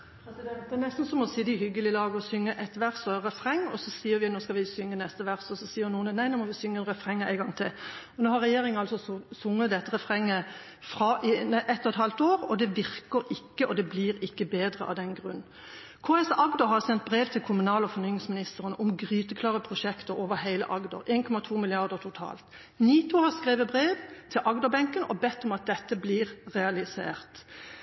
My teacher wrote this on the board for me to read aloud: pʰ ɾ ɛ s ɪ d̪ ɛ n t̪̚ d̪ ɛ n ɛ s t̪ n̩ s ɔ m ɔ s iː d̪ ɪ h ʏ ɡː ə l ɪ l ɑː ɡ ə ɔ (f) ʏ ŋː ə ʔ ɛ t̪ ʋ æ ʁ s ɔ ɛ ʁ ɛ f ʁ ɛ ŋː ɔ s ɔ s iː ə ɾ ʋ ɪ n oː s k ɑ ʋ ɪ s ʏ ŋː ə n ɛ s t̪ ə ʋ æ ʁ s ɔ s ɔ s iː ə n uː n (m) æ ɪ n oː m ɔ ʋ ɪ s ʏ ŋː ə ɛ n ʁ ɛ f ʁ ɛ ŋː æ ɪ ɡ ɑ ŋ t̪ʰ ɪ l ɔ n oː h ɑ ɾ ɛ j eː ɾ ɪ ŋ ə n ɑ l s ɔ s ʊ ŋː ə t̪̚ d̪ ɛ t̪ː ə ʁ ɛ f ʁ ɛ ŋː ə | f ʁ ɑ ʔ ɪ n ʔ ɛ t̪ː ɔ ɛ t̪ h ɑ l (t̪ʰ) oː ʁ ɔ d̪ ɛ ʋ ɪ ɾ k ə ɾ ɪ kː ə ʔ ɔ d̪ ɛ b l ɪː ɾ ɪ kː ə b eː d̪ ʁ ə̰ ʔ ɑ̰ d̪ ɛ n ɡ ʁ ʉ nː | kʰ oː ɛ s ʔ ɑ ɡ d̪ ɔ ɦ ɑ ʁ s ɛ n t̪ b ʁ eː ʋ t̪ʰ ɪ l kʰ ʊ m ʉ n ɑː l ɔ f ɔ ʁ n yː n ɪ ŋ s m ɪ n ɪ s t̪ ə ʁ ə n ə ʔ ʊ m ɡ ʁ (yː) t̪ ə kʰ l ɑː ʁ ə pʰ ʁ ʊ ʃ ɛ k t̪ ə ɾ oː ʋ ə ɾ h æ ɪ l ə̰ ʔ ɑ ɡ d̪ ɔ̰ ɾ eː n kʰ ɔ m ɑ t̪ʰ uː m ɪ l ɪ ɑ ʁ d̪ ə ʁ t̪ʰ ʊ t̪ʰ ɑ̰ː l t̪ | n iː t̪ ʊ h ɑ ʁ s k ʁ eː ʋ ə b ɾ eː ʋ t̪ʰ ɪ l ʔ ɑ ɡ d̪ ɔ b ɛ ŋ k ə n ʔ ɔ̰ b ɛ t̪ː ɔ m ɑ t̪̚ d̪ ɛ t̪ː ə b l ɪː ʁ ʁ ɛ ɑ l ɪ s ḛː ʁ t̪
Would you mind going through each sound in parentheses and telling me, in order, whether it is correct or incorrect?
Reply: incorrect: s, incorrect: n, incorrect: t̪, correct

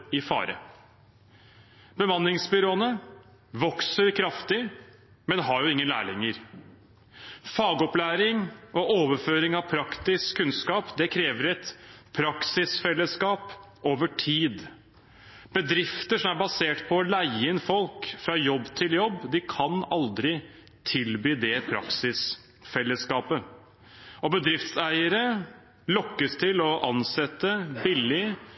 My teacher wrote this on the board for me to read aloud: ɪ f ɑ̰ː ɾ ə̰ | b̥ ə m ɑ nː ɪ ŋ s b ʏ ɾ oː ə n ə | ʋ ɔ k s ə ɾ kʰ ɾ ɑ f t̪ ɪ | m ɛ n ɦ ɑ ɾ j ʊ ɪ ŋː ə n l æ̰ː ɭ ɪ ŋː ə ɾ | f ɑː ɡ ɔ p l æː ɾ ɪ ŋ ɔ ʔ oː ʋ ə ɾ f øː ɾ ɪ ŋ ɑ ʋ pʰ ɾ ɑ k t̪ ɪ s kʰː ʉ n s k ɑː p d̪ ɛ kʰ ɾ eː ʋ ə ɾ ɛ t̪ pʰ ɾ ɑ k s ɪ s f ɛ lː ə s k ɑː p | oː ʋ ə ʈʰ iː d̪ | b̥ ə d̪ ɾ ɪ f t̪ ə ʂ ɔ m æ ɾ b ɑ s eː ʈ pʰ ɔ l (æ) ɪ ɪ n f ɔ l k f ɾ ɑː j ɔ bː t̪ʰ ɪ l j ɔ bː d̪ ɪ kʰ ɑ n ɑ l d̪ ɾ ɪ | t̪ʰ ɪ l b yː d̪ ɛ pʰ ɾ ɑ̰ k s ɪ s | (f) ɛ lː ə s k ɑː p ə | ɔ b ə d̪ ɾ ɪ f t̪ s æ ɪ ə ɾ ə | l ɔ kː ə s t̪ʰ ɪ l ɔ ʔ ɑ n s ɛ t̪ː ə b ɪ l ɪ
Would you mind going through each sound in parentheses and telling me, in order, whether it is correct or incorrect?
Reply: correct, correct

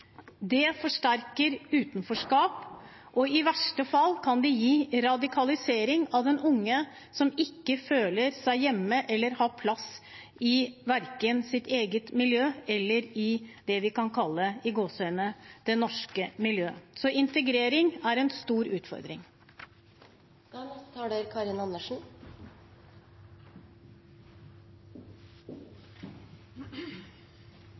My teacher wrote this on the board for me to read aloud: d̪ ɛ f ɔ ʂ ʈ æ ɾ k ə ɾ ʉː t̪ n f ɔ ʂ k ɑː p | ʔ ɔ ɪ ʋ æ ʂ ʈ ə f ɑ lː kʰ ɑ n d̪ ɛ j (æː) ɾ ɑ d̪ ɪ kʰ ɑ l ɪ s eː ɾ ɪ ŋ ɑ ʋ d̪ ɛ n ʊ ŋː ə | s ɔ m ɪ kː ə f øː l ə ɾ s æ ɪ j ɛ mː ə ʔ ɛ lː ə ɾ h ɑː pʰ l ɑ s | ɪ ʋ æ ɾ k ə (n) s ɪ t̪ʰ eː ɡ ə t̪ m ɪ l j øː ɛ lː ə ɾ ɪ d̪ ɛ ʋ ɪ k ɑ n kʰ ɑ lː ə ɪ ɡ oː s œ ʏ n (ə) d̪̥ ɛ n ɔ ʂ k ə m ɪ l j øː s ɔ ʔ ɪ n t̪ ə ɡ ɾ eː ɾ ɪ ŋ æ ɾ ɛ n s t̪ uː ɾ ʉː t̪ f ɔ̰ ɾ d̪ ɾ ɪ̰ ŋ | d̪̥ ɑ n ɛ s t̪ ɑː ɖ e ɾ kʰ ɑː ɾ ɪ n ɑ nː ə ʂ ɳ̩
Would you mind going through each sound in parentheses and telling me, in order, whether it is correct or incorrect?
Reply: incorrect: iː, correct, correct

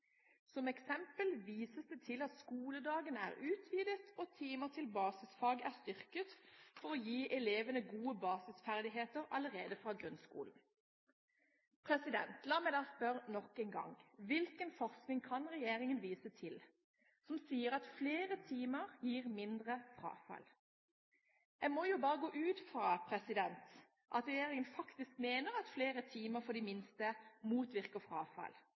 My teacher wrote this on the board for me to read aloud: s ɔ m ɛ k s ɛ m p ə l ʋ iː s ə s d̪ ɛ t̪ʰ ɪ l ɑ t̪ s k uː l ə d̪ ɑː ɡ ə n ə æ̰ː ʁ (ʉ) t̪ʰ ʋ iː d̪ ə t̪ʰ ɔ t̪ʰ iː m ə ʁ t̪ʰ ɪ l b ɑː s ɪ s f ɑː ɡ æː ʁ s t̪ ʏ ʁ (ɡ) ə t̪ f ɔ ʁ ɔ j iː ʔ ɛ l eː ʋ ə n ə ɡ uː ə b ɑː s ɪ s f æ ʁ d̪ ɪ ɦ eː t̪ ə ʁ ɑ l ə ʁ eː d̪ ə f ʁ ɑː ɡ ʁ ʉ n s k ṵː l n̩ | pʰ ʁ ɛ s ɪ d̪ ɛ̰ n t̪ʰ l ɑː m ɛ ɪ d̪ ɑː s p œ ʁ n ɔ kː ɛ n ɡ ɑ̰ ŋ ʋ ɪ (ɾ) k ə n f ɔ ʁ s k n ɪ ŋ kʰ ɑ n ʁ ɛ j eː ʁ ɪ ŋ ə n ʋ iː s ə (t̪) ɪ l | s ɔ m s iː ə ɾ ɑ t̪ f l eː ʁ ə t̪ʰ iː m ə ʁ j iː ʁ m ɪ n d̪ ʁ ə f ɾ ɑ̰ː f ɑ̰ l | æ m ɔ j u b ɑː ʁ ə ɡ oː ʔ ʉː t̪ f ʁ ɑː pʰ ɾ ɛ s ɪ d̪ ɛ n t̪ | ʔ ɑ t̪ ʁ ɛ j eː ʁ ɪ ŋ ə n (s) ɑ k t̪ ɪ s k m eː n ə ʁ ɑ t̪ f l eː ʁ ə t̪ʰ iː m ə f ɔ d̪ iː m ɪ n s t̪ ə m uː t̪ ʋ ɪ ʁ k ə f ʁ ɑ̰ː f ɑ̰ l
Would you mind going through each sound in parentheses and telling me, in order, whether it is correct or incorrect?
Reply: incorrect: ʉː, incorrect: k, incorrect: l, incorrect: t̪ʰ, incorrect: f

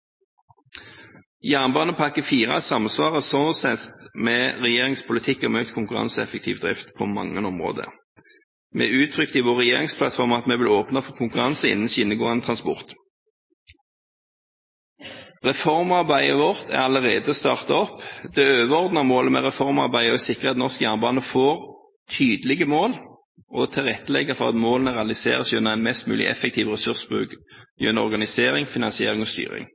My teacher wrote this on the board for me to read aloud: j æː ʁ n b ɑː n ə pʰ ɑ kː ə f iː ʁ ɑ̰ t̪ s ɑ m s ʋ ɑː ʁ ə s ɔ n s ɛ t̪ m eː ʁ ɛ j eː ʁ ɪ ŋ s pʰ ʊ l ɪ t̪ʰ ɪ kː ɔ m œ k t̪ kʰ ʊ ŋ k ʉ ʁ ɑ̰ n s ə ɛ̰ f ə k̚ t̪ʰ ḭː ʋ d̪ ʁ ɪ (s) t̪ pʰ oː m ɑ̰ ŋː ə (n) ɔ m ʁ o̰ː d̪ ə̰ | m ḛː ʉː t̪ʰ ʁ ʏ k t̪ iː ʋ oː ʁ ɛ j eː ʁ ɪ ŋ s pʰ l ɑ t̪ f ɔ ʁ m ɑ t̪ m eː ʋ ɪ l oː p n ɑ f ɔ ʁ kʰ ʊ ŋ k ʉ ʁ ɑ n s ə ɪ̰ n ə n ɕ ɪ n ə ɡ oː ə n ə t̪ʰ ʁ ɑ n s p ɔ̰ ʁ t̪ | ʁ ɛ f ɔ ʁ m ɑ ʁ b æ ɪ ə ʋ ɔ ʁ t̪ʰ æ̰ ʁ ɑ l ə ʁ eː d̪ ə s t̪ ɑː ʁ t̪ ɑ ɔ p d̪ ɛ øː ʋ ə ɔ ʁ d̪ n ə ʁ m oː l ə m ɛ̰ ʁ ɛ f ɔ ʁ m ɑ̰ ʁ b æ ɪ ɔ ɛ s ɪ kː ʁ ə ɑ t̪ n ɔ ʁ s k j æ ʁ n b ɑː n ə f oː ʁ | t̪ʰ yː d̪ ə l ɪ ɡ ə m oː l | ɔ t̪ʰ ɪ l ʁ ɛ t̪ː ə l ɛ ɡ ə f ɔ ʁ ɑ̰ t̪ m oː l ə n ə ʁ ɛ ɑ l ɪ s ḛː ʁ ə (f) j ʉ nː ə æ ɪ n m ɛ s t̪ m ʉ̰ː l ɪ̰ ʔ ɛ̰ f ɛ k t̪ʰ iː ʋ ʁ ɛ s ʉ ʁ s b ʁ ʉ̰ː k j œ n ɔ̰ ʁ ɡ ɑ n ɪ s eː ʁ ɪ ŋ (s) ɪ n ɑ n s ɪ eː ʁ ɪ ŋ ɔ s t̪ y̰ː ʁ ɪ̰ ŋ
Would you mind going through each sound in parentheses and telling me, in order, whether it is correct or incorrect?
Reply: incorrect: f, correct, incorrect: s, incorrect: f

